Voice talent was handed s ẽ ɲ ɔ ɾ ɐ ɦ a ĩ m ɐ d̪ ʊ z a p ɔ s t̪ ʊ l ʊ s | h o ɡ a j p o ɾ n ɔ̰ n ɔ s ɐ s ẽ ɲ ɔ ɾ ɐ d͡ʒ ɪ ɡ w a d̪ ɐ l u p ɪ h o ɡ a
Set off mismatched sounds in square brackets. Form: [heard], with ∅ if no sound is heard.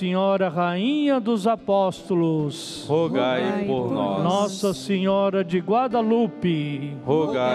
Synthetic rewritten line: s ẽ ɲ ɔ ɾ ɐ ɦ a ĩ [ɲ] ɐ d̪ ʊ z a p ɔ s t̪ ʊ l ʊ s | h o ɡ a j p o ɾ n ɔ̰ n ɔ s ɐ s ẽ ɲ ɔ ɾ ɐ d͡ʒ ɪ ɡ w a d̪ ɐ l u p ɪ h o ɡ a